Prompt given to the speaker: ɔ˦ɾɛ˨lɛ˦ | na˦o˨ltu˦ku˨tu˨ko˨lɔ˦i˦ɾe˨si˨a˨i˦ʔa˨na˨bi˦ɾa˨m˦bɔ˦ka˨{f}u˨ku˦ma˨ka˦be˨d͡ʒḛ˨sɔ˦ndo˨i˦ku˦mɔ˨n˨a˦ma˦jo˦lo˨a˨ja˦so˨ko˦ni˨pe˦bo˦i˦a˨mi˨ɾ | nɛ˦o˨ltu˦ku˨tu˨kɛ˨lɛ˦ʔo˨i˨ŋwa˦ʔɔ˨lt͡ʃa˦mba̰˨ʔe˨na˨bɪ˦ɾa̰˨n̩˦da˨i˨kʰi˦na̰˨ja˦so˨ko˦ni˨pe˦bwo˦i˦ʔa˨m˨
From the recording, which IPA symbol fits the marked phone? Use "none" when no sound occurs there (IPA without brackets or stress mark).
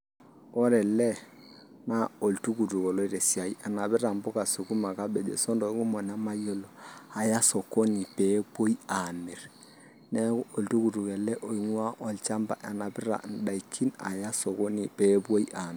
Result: s